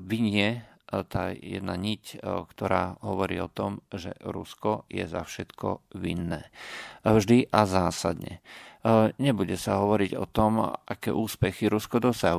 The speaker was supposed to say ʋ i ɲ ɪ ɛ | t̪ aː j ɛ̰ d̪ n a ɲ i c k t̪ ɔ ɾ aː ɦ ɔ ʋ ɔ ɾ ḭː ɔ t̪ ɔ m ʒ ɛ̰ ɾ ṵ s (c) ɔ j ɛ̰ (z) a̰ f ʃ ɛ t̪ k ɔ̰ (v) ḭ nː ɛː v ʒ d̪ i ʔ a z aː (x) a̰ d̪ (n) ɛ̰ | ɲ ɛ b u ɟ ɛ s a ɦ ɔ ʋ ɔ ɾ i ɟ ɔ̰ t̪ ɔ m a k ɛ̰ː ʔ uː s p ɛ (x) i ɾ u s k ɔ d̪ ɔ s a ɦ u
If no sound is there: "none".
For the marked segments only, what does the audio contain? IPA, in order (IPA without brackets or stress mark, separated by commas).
k, z, ʋ, s, ɲ, x